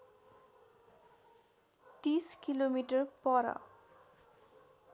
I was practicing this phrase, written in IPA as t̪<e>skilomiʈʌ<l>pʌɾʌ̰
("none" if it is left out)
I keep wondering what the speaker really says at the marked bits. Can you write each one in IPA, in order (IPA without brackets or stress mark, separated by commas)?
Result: i, r